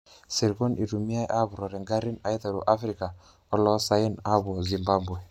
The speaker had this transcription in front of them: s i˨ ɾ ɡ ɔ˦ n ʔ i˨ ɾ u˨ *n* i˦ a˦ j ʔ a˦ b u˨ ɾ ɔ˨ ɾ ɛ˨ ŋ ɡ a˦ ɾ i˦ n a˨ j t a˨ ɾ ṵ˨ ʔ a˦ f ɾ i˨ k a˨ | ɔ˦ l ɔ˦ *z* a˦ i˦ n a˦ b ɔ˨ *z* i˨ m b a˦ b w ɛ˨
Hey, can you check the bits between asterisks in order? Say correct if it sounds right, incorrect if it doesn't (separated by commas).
incorrect, incorrect, correct